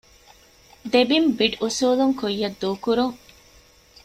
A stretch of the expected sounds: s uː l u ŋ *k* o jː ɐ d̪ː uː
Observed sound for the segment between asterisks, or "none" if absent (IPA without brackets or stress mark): k